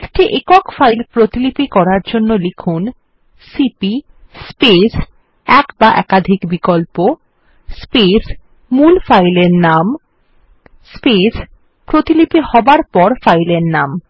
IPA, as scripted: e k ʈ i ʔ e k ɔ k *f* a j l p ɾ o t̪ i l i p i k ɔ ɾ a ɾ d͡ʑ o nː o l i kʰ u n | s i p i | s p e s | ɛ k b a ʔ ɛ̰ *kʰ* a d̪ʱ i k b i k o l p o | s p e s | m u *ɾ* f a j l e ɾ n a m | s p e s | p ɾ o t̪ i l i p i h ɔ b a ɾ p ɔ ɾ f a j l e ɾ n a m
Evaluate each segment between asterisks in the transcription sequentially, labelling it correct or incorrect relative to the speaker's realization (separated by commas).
correct, incorrect, incorrect